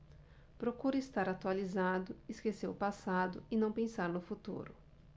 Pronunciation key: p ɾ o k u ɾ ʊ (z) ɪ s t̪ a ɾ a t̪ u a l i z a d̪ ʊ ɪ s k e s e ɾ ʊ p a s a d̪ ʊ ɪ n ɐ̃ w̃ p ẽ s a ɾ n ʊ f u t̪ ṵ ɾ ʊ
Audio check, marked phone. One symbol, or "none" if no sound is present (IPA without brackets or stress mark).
none